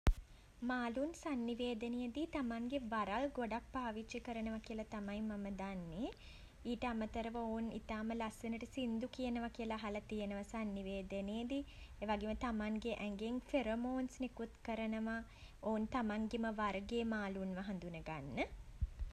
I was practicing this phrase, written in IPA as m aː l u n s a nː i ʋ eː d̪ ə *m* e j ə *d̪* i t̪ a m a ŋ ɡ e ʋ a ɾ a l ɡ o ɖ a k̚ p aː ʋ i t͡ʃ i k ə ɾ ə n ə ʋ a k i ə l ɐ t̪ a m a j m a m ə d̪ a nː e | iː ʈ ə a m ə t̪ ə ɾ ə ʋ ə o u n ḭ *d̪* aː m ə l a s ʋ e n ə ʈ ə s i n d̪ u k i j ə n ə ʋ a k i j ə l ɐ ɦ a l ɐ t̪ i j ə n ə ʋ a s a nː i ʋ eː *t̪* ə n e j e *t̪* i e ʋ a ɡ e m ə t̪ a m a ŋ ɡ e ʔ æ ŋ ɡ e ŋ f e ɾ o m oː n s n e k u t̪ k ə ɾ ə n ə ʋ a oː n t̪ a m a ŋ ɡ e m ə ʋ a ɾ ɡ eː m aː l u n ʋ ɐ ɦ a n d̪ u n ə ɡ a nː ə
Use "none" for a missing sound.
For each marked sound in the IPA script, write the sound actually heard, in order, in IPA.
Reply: n, d̪, t̪, d̪, d̪

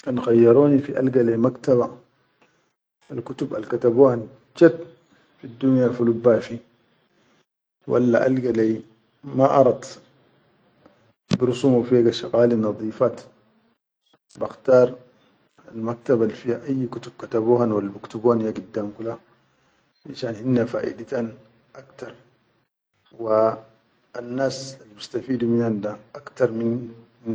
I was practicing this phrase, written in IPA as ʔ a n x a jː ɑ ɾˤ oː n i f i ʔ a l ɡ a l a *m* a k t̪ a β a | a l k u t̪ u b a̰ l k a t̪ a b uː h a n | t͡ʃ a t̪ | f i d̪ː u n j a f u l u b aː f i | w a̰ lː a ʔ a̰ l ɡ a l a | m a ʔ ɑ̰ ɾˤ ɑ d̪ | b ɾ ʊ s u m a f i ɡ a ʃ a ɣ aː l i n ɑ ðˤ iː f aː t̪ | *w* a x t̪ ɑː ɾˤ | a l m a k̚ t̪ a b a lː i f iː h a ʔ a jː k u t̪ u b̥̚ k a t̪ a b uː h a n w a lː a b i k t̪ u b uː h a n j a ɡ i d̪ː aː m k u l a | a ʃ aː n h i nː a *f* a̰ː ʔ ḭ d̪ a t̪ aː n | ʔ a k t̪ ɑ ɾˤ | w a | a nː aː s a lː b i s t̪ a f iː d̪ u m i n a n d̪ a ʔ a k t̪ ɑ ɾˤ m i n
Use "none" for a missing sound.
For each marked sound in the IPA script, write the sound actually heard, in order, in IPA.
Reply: m, b, f

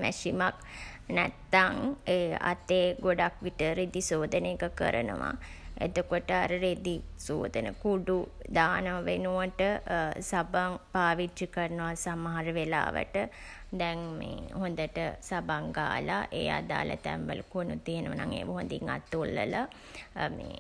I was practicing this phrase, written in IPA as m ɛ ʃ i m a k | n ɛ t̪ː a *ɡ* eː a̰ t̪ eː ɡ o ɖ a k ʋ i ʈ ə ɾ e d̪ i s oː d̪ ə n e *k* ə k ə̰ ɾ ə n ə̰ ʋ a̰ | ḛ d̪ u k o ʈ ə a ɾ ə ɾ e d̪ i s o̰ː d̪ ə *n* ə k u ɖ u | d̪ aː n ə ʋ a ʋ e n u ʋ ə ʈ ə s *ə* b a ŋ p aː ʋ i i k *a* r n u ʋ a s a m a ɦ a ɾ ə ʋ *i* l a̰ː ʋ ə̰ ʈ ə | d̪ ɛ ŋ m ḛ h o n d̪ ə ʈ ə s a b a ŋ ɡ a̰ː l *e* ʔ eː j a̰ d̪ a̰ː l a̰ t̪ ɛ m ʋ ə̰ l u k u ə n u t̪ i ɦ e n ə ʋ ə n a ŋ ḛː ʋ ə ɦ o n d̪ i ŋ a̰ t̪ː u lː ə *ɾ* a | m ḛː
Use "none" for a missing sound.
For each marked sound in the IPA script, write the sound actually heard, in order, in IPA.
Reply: ŋ, k, n, a, ə, e, a, l

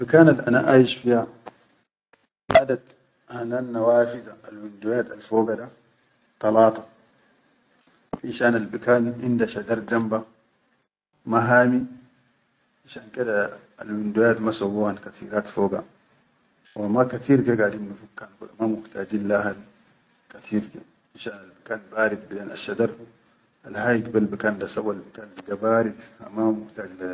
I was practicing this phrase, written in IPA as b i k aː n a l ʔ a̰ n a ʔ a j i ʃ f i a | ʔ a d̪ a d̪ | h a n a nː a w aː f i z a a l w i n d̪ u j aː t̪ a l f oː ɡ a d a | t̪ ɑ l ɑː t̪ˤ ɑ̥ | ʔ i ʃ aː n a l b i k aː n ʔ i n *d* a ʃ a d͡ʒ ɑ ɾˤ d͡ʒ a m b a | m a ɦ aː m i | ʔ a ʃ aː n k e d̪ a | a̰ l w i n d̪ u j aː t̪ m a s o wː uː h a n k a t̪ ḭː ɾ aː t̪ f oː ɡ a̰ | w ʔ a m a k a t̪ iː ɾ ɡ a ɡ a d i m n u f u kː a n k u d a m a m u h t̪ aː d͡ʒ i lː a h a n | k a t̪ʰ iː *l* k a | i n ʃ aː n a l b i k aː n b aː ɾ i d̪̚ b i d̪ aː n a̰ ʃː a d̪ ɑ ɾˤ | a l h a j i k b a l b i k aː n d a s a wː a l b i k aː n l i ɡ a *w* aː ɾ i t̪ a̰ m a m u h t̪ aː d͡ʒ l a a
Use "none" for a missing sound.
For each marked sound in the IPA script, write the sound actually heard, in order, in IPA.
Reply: d, ɾ, b

